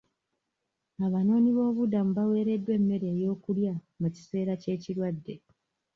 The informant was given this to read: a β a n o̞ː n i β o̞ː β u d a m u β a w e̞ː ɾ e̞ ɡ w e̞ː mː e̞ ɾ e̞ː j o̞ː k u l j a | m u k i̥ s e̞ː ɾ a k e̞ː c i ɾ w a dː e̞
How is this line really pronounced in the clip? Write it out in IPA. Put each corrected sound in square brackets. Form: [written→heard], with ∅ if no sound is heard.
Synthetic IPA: a β a n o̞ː n i β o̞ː β u d a m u β a w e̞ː ɾ e̞ [ɡ→d] w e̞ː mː e̞ ɾ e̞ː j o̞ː k u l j a | m u [k→c] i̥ s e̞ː ɾ a [k→c] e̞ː c i ɾ w a dː e̞